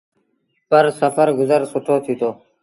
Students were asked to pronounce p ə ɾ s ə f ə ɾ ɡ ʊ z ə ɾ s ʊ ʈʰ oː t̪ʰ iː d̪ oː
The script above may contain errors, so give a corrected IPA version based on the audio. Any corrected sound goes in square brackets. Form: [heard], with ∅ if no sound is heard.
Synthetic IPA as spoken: p ə ɾ s ə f ə ɾ ɡ ʊ z ə ɾ s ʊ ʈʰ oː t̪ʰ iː [t̪] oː